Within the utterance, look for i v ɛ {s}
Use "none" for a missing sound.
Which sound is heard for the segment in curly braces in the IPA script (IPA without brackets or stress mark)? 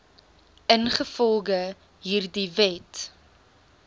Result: t